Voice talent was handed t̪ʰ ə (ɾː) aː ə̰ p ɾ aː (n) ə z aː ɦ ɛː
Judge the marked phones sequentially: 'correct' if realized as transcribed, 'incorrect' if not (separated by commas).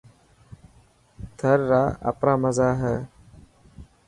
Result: correct, incorrect